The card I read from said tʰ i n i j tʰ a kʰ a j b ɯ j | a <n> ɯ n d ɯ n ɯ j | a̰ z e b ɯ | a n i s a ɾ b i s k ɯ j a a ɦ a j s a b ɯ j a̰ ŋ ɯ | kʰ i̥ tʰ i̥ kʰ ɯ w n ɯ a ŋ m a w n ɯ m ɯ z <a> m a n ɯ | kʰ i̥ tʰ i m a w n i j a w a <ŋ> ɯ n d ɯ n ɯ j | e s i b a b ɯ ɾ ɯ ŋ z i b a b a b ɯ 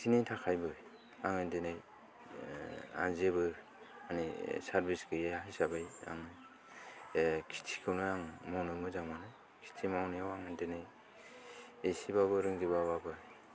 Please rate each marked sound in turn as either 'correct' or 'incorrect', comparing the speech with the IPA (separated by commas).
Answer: incorrect, correct, correct